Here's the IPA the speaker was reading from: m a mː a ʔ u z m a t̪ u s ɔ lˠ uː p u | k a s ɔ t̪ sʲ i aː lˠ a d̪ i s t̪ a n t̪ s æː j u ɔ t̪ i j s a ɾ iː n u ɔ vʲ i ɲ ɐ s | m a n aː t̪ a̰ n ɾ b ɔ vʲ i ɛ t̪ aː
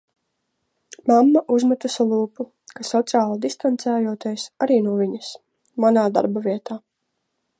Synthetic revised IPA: m a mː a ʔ u z m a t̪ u s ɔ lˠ uː p u | k a s ɔ t̪ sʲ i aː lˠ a d̪ i s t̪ a n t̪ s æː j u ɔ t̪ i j s a ɾ iː n u ɔ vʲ i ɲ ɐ s | m a n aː d̪ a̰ ɾ b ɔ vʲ i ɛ t̪ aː

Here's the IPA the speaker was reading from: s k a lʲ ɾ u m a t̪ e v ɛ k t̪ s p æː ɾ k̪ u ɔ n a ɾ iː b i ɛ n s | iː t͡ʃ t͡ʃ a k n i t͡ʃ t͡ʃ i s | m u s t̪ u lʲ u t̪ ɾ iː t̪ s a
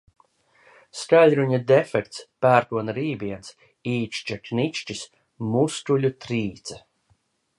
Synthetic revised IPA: s k a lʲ ɾ u ɲ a d̪ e f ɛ k t̪ s p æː ɾ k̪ u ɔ n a ɾ iː b i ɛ n s | iː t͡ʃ t͡ʃ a k n i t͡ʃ t͡ʃ i s | m u s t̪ u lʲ u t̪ ɾ iː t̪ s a

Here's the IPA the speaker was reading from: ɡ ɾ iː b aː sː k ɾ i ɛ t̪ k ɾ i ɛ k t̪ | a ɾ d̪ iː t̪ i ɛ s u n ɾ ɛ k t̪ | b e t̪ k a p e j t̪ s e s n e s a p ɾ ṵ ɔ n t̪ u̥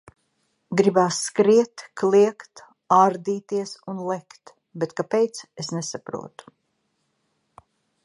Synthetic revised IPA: ɡ ɾ i b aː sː k ɾ i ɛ t̪ k l i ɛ k t̪ | a ɾ d̪ iː t̪ i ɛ s u n l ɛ k t̪ | b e t̪ k a p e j t̪ s e s n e s a p ɾ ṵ ɔ t̪ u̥

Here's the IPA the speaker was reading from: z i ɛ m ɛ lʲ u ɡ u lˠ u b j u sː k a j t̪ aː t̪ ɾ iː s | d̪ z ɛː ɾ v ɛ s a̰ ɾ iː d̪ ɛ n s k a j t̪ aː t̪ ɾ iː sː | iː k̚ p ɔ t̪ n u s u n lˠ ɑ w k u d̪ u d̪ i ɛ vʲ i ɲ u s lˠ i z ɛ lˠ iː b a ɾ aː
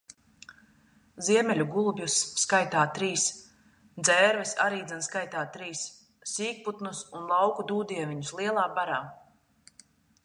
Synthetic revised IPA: z i ɛ m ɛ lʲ u ɡ u lˠ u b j u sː k a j t̪ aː t̪ ɾ iː s | d̪ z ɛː ɾ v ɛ s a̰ ɾ iː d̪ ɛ n s k a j t̪ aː t̪ ɾ iː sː | iː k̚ p u t̪ n u s u n lˠ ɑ w k u d̪ uː d̪ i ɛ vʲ i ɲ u s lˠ i ɛ lˠ aː b a ɾ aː

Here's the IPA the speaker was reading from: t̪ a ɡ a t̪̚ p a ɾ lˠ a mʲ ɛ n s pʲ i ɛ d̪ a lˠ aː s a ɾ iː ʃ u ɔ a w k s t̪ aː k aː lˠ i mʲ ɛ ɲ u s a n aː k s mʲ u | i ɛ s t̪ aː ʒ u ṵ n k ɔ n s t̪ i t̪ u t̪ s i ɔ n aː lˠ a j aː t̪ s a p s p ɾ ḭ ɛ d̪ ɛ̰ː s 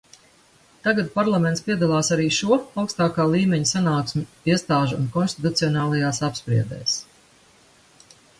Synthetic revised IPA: t̪ a ɡ a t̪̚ p a ɾ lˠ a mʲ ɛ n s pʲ i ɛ d̪ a lˠ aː s a ɾ iː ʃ u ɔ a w k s t̪ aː k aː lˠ iː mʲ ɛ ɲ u s a n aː k s mʲ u | i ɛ s t̪ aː ʒ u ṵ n k ɔ n s t̪ i t̪ u t̪ s i ɔ n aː lˠ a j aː s a p s p ɾ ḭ ɛ d̪ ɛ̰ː s

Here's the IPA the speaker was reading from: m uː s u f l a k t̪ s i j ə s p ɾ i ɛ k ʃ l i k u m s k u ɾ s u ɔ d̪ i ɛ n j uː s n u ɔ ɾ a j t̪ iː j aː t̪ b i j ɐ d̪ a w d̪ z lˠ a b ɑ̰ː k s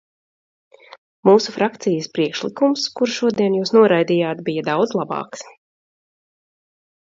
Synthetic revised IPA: m uː s u f ɾ a k t̪ s i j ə s p ɾ i ɛ k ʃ l i k u m s k u ɾ ʃ u ɔ d̪ i ɛ n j uː s n u ɔ ɾ a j d̪ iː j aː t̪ b i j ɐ d̪ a w d̪ z lˠ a b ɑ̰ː k s

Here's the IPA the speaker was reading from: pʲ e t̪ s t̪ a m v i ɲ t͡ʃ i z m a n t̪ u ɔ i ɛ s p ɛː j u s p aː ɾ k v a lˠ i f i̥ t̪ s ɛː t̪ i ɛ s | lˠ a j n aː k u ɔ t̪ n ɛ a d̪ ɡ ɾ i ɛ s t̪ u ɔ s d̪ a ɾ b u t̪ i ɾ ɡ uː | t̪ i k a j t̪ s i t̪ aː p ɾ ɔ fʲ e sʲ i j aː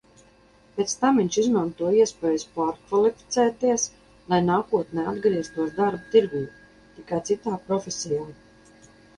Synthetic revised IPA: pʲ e t̪ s t̪ a m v i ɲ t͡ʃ i z m a n t̪ u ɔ i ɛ s p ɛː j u s p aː ɾ k v a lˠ i f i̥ t̪ s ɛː t̪ i ɛ s | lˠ a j n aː k u ɔ t̪ n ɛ a d̪ ɡ ɾ i ɛ s t̪ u ɔ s d̪ a ɾ b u t̪ i ɾ ɡ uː | t̪ i k a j t̪ s i t̪ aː p ɾ ɔ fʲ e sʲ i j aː

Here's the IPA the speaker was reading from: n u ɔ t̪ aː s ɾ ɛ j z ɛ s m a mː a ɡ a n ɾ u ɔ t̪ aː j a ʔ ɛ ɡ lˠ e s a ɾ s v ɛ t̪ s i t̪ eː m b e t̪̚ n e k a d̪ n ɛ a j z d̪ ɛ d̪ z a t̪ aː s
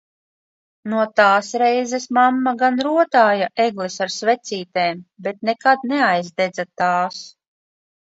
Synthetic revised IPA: n u ɔ t̪ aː s ɾ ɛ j z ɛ s m a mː a ɡ a n ɾ u ɔ t̪ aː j a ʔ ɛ ɡ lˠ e s a ɾ s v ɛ t̪ s iː t̪ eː m b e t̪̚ n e k a d̪ n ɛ a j z d̪ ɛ d̪ z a t̪ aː s

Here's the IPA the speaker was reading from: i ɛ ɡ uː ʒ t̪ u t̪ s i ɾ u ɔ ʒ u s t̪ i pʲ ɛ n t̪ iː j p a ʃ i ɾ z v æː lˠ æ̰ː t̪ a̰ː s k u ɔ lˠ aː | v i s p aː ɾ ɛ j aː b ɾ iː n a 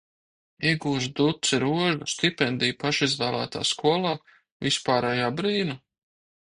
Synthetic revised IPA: i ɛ ɡ uː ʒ d̪ u t̪ s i ɾ u ɔ ʒ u s t̪ i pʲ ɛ n d̪ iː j p a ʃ i z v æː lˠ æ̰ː t̪ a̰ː s k u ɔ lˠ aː | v i s p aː ɾ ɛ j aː b ɾ iː n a

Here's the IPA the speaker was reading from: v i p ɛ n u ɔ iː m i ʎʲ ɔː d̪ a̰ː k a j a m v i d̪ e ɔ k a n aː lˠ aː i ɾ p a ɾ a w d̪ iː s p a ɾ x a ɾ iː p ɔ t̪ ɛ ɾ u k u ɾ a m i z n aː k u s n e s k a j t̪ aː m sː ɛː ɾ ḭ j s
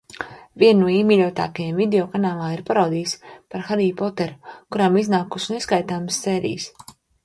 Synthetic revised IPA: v i ɛ n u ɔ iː m i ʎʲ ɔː t̪ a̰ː k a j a m v i d̪ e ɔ k a n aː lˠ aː i ɾ p a ɾ a w d̪ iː s p a ɾ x a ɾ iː p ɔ t̪ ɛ ɾ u k u ɾ a m i z n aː k u s n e s k a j t̪ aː m sː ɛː ɾ ḭ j s

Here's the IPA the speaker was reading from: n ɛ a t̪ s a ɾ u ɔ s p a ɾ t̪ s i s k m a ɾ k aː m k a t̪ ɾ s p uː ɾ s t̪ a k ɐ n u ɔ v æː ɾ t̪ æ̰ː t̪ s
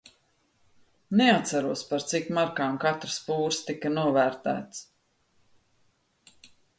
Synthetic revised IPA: n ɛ a t̪ s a ɾ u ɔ s p a ɾ t̪ s i k m a ɾ k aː m k a t̪ ɾ s p uː ɾ s t̪ i k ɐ n u ɔ v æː ɾ t̪ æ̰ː t̪ s

